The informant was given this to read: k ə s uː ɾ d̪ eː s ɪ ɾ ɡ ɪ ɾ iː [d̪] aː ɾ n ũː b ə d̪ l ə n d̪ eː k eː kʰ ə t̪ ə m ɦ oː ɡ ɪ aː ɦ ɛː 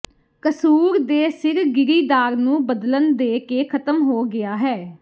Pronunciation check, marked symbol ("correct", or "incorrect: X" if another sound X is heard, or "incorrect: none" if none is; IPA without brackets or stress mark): correct